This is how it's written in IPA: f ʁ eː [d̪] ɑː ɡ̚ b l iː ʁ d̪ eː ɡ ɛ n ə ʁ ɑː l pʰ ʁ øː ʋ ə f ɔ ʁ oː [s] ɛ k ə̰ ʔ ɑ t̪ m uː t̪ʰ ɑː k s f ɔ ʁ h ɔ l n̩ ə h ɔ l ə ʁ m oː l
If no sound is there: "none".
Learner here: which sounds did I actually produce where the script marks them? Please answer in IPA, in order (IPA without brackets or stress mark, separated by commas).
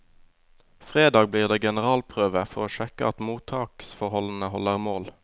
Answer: d̪, ʃ